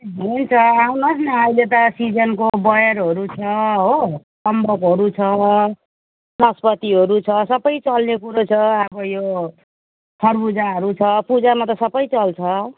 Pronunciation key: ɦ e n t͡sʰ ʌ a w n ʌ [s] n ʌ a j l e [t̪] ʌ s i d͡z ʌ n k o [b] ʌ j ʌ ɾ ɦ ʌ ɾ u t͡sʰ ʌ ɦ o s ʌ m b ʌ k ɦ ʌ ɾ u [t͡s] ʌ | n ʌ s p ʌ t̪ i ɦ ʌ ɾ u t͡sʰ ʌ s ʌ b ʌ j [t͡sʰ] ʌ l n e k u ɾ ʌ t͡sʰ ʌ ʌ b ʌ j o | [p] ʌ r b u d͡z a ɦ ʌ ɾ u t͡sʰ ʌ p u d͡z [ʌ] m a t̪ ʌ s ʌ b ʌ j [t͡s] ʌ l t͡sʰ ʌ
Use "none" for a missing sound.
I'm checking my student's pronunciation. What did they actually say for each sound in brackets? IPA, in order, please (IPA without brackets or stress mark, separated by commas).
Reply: s, t̪, b, t͡sʰ, t͡s, pʰ, a, t͡s